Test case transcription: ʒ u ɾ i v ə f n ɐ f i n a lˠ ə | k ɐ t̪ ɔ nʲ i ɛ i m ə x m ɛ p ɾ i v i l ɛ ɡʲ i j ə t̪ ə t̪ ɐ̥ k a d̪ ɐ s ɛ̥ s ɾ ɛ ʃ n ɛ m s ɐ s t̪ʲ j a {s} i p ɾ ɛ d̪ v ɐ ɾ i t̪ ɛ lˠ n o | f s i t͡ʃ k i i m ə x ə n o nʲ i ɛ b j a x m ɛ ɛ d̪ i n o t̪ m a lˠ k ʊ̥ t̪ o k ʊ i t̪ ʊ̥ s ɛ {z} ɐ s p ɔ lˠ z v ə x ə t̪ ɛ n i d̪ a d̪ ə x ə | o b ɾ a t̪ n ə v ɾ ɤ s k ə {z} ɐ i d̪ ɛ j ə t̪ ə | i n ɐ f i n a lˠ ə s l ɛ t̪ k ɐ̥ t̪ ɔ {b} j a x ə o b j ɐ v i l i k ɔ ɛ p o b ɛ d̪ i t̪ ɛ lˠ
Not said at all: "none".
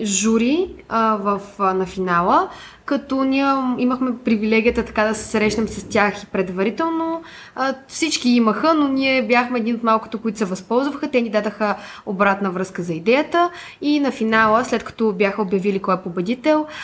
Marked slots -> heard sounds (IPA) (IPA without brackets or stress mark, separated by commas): x, v, z, b